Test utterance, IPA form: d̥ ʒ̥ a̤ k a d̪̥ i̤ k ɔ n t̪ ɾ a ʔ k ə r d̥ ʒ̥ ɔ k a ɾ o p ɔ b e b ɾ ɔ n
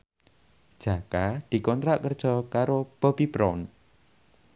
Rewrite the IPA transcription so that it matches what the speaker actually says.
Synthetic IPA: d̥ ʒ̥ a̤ k a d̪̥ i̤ k ɔ n t̪ ɾ a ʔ k ə r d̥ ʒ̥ ɔ k a ɾ o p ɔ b i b ɾ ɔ n

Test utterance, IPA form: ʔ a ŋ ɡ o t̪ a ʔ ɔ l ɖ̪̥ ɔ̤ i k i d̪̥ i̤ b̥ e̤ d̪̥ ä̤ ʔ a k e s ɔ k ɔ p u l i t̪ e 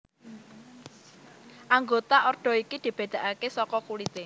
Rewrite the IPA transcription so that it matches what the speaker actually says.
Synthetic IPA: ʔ a ŋ ɡ o t̪ a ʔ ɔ r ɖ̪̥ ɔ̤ i k i d̪̥ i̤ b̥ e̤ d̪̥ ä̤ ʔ a k e s ɔ k ɔ k u l i t̪ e

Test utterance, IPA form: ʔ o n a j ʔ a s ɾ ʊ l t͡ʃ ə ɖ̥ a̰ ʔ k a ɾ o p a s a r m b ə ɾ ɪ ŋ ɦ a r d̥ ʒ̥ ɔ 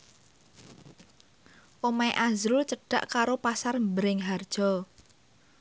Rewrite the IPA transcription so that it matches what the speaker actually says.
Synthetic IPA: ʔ o m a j ʔ a z ɾ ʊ l t͡ʃ ə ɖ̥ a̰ ʔ k a ɾ o p a s a r m b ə ɾ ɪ ŋ ɦ a r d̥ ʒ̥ ɔ

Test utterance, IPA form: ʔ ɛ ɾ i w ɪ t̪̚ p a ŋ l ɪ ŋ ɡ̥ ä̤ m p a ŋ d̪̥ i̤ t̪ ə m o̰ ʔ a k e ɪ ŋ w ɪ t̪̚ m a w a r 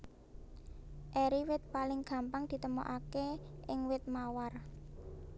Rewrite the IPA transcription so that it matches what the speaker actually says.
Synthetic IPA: ʔ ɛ ɾ i w ɪ t̪̚ p a l ɪ ŋ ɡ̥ ä̤ m p a ŋ d̪̥ i̤ t̪ ə m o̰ ʔ a k e ɪ ŋ w ɪ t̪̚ m a w a r

